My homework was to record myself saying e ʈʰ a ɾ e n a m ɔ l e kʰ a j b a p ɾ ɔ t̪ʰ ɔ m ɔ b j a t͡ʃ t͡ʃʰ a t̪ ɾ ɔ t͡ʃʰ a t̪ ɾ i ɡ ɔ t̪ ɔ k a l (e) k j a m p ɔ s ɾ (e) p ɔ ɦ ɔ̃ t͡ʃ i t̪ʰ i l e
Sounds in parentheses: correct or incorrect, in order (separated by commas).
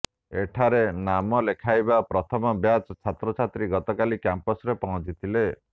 incorrect, correct